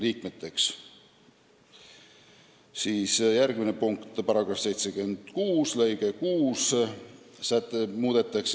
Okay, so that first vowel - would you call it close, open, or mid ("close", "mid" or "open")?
close